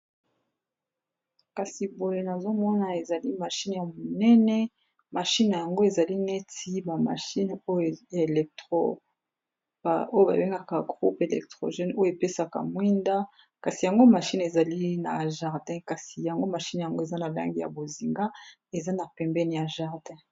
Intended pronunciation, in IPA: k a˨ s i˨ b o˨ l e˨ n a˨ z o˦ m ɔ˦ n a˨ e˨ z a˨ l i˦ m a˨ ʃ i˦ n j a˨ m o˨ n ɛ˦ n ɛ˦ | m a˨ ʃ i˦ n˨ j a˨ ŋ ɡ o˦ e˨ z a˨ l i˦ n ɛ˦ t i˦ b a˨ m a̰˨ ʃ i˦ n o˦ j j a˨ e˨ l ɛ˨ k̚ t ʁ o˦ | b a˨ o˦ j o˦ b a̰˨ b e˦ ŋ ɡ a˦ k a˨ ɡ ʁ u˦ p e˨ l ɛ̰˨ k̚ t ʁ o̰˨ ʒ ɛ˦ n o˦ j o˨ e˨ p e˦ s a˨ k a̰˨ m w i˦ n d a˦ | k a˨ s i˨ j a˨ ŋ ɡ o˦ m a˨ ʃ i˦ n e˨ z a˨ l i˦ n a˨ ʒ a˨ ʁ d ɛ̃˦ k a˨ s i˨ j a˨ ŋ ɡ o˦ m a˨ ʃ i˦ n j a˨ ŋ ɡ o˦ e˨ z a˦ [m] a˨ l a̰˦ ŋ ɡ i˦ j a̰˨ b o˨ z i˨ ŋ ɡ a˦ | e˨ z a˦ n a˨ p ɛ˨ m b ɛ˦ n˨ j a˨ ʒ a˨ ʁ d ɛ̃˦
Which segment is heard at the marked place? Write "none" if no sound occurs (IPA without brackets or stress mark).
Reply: n